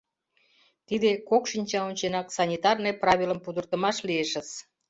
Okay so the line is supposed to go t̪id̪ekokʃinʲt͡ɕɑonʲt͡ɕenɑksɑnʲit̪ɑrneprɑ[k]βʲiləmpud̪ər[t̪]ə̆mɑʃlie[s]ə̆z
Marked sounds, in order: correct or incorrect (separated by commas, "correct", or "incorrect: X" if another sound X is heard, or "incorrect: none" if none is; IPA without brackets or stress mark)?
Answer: incorrect: none, correct, incorrect: ʃ